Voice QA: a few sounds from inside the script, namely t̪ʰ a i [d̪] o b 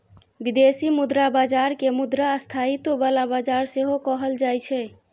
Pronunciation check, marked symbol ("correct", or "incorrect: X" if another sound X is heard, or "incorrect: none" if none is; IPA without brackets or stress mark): incorrect: t̪